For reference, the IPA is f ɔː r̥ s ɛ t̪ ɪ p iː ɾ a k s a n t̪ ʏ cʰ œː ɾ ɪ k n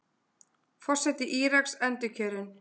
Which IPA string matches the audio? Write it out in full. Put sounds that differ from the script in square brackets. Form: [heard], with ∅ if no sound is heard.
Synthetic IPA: f [ɔ] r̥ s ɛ t̪ ɪ [ʔ] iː ɾ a k s [ɛ] n t̪ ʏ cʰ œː ɾ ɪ [∅] n